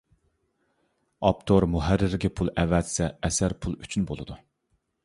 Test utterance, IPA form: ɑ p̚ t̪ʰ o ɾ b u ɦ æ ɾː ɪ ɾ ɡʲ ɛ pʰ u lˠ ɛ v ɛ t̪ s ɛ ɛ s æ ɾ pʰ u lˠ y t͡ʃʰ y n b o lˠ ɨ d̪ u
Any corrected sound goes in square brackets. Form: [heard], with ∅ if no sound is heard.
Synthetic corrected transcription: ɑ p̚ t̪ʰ o ɾ [m] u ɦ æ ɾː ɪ ɾ ɡʲ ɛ pʰ u lˠ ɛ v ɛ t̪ s ɛ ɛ s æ ɾ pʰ u lˠ y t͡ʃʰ y n b o lˠ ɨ d̪ u